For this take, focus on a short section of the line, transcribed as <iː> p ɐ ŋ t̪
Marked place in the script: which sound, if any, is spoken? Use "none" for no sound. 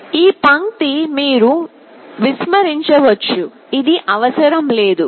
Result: iː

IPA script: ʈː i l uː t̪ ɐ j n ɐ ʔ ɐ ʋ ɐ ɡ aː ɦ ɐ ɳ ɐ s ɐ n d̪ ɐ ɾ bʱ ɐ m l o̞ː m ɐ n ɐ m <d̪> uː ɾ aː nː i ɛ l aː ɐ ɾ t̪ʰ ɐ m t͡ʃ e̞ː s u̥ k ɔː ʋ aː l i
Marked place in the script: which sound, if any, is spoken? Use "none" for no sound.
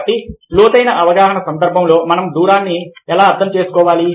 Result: d̪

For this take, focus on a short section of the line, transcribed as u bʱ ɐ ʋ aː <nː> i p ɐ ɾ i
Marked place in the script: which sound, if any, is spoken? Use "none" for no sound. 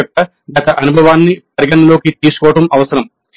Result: nː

